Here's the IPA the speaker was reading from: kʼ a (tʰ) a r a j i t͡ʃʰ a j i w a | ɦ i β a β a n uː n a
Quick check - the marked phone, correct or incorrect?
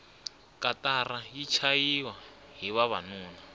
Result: incorrect